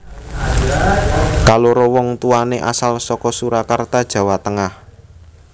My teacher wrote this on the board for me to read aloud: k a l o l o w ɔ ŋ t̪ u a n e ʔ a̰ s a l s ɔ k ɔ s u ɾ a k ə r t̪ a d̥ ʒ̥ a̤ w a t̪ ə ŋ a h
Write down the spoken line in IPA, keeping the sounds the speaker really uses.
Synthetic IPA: k a l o ɾ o w ɔ ŋ t̪ u a n e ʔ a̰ s a l s ɔ k ɔ s u ɾ a k a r t̪ a d̥ ʒ̥ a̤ w a t̪ ə ŋ a h